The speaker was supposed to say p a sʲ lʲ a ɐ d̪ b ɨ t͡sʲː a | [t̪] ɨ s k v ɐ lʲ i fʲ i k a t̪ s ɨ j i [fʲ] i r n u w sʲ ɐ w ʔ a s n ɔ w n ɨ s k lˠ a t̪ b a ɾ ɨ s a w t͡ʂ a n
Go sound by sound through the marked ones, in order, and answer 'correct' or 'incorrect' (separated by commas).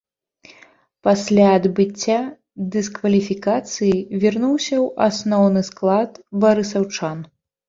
incorrect, incorrect